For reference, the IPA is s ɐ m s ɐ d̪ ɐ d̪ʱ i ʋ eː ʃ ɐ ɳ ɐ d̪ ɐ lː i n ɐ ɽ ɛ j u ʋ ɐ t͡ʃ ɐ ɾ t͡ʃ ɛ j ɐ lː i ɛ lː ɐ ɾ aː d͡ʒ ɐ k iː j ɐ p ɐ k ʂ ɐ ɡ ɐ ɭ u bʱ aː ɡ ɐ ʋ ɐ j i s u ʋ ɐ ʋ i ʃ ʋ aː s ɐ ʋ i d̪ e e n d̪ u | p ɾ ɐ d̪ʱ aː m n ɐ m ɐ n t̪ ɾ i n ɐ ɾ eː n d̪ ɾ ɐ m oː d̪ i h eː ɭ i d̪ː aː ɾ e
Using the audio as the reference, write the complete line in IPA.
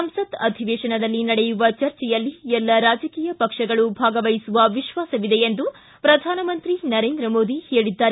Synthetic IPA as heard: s ɐ m s ɐ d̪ ɐ d̪ʱ i ʋ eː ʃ ɐ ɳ ɐ d̪ ɐ lː i n ɐ ɽ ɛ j u ʋ ɐ t͡ʃ ɐ ɾ t͡ʃ ɛ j ɐ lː i ɛ lː ɐ ɾ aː d͡ʒ ɐ k iː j ɐ p ɐ k ʂ ɐ ɡ ɐ ɭ u bʱ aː ɡ ɐ ʋ ɐ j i s u ʋ ɐ ʋ i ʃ ʋ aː s ɐ ʋ i d̪ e e n d̪ u | p ɾ ɐ d̪ʱ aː n ɐ m ɐ n t̪ ɾ i n ɐ ɾ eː n d̪ ɾ ɐ m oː d̪ i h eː ɭ i d̪ː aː ɾ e

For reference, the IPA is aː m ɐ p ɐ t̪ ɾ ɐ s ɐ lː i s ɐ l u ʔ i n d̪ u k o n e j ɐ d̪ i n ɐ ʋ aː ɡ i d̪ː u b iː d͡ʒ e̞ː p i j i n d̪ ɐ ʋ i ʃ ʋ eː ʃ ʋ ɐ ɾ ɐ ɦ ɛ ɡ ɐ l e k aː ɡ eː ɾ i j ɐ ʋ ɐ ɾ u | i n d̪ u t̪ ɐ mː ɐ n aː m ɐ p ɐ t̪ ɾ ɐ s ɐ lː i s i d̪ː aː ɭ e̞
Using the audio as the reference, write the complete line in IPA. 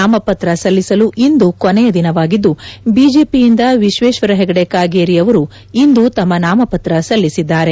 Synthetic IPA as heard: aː m ɐ p ɐ t̪ ɾ ɐ s ɐ lː i s ɐ l u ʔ i n d̪ u k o n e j ɐ d̪ i n ɐ ʋ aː ɡ i d̪ː u b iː d͡ʒ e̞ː p i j i n d̪ ɐ ʋ i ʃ ʋ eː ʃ ʋ ɐ ɾ ɐ ɦ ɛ ɡ ɐ ɽ e k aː ɡ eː ɾ i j ɐ ʋ ɐ ɾ u | i n d̪ u t̪ ɐ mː ɐ n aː m ɐ p ɐ t̪ ɾ ɐ s ɐ lː i s i d̪ː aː ɾ e̞

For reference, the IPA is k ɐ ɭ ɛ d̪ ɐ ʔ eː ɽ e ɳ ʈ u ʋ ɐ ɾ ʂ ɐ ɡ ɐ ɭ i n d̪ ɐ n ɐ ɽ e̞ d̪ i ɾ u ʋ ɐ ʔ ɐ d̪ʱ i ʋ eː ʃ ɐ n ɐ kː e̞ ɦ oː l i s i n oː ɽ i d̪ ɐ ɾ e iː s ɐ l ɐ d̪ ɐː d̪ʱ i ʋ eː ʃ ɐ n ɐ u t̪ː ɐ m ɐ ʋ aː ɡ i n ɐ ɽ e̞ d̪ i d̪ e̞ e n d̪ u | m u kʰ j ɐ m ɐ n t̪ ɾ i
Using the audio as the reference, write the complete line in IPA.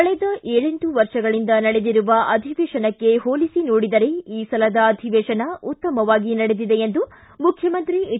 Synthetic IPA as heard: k ɐ ɭ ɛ d̪ ɐ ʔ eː ɭ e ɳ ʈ u ʋ ɐ ɾ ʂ ɐ ɡ ɐ ɭ i n d̪ ɐ n ɐ ɽ e̞ d̪ i ɾ u ʋ ɐ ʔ ɐ d̪ʱ i ʋ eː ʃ ɐ n ɐ kː e̞ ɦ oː l i s i n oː ɽ i d̪ ɐ ɾ e iː s ɐ l ɐ d̪ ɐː d̪ʱ i ʋ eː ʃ ɐ n ɐ u t̪ː ɐ m ɐ ʋ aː ɡ i n ɐ ɽ e̞ d̪ i d̪ e̞ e n d̪ u | m u kʰ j ɐ m ɐ n t̪ ɾ i

